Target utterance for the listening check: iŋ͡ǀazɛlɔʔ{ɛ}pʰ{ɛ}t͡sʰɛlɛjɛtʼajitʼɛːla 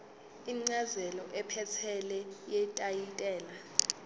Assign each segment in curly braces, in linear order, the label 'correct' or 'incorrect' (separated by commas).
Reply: correct, correct